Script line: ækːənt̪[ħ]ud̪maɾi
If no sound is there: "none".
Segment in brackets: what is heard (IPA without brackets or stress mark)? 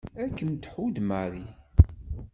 ħ